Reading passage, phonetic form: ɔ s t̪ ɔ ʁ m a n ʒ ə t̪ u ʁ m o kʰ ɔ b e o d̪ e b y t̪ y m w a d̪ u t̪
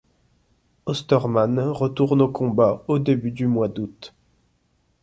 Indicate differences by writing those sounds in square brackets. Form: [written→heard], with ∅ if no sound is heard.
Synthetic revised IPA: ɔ s t̪ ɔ ʁ m a n [ʒ→ʁ] ə t̪ u ʁ [m→n] o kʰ [ɔ→ɔ̃] b [e→a] o d̪ e b y [t̪→d̪] y m w a d̪ u t̪